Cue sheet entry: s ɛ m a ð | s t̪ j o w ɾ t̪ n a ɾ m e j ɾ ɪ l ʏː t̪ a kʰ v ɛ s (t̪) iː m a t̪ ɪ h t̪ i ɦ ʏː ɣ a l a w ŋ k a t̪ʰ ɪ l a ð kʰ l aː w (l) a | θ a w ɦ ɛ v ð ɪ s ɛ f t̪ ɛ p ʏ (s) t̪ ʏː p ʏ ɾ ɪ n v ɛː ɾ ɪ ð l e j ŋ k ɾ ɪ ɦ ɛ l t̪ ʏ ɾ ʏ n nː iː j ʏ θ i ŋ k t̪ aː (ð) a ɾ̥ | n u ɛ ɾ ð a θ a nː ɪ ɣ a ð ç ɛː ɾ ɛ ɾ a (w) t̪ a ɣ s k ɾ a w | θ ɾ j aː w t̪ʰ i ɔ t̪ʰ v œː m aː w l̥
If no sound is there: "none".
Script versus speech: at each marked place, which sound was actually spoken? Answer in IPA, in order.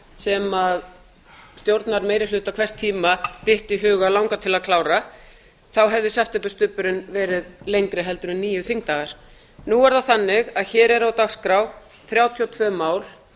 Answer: t̪ʰ, ɾ, s, ɣ, w

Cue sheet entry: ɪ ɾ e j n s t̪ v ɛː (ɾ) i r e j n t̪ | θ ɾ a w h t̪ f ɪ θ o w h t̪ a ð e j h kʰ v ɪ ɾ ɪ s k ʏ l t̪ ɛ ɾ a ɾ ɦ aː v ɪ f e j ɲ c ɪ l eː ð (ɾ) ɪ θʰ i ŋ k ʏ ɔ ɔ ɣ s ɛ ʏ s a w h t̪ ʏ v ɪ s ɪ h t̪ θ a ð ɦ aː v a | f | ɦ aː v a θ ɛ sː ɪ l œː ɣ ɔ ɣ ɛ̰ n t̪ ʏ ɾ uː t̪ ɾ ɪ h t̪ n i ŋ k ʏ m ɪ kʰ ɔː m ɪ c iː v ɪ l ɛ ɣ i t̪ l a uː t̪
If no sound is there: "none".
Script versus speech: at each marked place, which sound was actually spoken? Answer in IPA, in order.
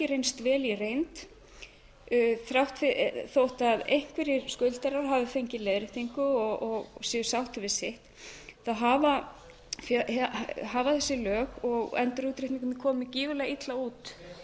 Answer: l, ɾ

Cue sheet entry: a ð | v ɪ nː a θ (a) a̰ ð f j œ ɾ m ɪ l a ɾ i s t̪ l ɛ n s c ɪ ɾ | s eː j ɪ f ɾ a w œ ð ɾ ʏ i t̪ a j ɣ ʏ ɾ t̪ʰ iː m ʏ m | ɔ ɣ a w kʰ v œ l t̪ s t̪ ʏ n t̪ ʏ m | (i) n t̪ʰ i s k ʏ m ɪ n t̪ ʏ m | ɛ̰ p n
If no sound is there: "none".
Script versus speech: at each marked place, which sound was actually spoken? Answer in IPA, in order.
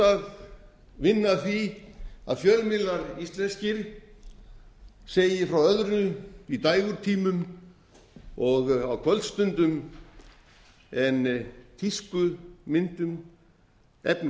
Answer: i, ɛ

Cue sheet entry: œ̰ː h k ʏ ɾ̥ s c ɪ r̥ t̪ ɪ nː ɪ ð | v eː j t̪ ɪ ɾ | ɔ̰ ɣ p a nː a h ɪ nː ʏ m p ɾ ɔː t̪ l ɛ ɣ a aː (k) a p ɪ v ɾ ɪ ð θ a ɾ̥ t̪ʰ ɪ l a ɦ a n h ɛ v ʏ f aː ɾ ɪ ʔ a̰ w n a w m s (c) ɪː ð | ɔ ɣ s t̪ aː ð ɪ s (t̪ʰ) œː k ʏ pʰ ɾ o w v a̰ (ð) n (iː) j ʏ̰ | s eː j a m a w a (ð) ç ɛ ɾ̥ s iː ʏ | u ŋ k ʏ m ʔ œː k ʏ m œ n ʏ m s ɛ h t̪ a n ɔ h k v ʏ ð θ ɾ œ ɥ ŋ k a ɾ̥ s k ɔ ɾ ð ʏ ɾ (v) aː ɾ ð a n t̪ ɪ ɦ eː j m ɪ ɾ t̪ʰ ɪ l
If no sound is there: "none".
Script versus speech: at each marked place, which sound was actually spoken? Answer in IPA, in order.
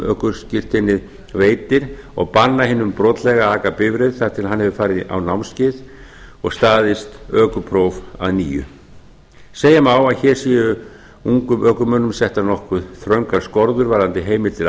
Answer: k, c, t̪, ð, iː, ð, v

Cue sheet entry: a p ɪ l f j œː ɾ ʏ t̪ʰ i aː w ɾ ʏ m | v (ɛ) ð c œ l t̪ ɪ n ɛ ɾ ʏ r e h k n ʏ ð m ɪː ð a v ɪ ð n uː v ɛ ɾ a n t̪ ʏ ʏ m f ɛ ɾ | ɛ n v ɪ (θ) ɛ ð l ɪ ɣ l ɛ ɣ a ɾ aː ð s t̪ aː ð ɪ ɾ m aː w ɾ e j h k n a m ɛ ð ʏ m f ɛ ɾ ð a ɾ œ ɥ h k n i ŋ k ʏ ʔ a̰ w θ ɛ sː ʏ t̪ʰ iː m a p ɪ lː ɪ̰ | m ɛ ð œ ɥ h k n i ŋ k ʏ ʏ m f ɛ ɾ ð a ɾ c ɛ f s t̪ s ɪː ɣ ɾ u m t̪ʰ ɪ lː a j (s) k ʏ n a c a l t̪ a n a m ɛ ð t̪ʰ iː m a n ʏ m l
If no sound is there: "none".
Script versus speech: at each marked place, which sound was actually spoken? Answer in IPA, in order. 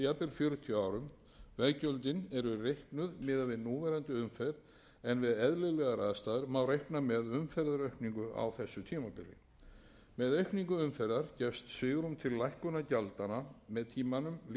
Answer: ɛ, ð, h

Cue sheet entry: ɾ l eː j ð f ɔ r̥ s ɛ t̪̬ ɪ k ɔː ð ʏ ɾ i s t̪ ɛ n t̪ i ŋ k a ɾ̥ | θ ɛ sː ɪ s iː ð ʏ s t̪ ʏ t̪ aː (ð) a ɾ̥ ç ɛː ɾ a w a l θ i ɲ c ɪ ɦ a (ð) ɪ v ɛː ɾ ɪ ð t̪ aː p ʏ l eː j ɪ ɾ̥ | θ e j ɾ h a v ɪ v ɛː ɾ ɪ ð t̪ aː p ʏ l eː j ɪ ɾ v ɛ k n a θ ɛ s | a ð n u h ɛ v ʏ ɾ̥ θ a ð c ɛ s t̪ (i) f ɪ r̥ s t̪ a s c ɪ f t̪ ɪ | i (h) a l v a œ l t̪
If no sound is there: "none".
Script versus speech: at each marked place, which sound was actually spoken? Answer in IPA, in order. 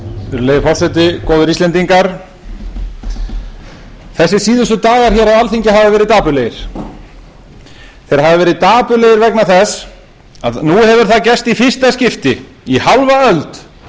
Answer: ɣ, v, i, h

